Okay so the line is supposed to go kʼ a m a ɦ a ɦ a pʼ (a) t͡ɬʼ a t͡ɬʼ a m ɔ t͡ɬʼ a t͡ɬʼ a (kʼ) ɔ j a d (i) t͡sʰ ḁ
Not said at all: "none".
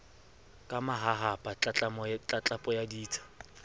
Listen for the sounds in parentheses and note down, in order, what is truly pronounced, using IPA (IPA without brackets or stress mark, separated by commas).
a, pʼ, iː